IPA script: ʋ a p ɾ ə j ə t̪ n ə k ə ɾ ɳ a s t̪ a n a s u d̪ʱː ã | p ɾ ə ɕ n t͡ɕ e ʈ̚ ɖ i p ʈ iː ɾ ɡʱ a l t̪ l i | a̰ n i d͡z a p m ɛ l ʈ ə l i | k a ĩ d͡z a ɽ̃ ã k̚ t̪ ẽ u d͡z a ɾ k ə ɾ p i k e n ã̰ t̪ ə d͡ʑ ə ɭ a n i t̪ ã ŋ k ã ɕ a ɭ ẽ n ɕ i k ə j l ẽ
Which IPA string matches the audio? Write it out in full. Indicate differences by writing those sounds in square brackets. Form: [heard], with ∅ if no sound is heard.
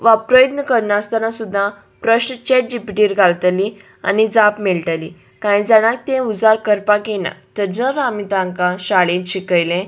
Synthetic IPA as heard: ʋ a p ɾ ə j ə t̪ n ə k ə ɾ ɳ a s t̪ a n a s u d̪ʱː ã | p ɾ ə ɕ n t͡ɕ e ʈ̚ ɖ i p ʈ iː ɾ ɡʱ a l t̪ l i | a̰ n i d͡z a p m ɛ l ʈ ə l i | k a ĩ d͡z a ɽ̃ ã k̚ t̪ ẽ u d͡z a ɾ k ə ɾ p [a] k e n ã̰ t̪ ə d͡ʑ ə [ɾ] a [m] i t̪ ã ŋ k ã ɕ a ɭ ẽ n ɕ i k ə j l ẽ